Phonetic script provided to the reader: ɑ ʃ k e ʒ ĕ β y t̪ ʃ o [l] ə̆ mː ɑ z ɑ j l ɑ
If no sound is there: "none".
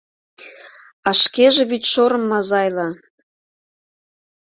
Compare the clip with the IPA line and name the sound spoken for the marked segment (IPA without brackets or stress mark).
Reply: ɾ